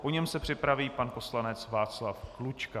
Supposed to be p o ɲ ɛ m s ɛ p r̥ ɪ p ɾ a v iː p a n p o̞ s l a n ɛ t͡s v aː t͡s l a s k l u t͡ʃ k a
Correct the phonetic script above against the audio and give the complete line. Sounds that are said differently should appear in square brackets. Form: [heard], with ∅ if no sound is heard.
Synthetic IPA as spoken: p o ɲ ɛ m s ɛ p r̥ ɪ p ɾ a v iː p a n p o̞ s l a n ɛ t͡s v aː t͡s l a [f] k l u t͡ʃ k a